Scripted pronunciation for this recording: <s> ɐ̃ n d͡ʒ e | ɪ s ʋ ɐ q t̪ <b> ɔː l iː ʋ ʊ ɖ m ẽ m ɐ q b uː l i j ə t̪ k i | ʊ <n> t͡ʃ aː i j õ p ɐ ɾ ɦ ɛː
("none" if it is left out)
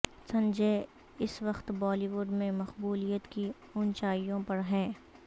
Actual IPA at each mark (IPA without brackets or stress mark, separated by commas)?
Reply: s, b, n